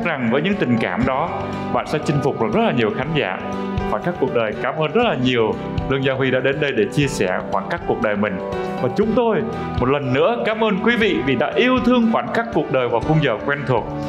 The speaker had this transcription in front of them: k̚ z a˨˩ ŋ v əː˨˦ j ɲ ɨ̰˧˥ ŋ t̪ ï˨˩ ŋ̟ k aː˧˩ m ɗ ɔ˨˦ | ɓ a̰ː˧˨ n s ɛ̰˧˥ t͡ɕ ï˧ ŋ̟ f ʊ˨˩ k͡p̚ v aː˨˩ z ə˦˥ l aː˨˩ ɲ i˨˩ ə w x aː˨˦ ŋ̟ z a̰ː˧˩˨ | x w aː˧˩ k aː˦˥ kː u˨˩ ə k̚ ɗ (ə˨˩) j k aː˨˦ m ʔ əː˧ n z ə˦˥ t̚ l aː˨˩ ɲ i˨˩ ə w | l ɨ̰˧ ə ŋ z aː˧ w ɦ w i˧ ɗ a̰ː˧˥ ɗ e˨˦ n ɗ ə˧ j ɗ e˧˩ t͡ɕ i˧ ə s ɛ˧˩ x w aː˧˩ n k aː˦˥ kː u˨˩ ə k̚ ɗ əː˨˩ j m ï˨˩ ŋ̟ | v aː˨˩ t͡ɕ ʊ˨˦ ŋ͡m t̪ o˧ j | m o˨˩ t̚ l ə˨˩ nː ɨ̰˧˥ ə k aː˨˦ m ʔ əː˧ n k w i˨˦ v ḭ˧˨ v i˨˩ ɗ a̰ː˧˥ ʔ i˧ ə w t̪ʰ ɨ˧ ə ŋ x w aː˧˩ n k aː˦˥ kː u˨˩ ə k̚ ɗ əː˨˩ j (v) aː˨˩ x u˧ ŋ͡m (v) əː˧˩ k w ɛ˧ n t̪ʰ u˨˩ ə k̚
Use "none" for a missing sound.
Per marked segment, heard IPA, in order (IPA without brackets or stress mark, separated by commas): əː˨˩, v, z